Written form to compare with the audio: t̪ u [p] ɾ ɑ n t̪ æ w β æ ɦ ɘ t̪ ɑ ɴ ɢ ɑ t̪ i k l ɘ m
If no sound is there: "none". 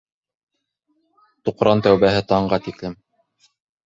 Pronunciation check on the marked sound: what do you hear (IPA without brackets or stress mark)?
q